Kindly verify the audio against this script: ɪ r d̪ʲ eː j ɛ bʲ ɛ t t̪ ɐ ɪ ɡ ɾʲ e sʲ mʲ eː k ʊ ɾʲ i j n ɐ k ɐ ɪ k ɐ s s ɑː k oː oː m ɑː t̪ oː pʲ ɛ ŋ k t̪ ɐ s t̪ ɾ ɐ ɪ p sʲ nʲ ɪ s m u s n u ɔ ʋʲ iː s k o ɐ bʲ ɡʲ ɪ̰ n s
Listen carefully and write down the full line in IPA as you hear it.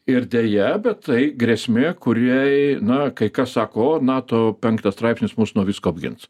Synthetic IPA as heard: ɪ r d̪ʲ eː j ɛ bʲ ɛ t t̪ ɐ ɪ ɡ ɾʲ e sʲ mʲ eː k ʊ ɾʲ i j n ɐ k ɐ ɪ k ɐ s s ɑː k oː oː n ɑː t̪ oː pʲ ɛ ŋ k t̪ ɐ s t̪ ɾ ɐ ɪ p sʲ nʲ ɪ s m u s n u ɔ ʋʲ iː s k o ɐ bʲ ɡʲ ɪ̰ n s